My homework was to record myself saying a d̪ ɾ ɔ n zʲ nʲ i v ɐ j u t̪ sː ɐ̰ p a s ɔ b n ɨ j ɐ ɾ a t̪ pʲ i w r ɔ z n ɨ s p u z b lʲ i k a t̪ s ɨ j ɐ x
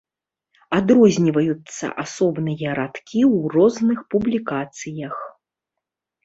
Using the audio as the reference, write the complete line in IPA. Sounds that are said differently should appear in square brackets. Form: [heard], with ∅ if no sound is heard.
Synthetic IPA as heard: a d̪ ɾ ɔ [∅] zʲ nʲ i v ɐ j u t̪ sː ɐ̰ [ʔ] a s ɔ b n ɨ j ɐ ɾ a t̪ [kʲ] i w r ɔ z n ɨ [x] p u [∅] b lʲ i k a t̪ s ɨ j ɐ x